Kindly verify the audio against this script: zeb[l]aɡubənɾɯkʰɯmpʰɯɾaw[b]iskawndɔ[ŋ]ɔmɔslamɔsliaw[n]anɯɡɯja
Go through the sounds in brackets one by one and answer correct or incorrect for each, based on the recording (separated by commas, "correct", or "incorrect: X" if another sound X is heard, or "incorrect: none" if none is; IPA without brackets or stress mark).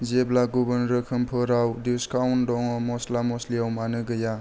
correct, incorrect: d, correct, incorrect: m